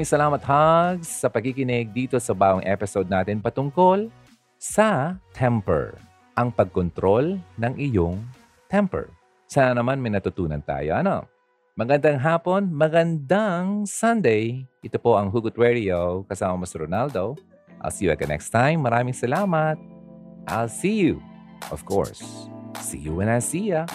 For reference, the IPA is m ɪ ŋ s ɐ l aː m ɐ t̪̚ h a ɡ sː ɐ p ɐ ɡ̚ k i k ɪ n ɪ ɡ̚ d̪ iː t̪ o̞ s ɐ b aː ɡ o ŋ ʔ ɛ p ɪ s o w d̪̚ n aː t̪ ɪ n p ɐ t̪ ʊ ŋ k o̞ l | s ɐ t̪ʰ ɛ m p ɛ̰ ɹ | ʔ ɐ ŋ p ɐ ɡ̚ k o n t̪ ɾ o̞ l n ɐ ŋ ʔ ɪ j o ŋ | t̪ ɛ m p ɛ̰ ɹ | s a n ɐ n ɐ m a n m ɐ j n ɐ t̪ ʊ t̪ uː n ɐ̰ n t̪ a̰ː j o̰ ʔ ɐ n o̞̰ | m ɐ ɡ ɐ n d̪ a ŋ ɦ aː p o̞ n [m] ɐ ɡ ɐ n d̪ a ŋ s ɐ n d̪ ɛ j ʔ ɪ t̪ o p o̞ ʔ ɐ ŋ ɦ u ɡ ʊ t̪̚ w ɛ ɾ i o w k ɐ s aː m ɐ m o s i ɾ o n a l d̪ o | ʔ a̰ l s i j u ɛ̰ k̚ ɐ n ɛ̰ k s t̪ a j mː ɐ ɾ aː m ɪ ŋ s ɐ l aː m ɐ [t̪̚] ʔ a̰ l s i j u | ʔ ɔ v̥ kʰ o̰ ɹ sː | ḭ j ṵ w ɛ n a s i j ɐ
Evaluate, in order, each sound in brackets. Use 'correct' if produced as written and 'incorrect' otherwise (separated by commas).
correct, correct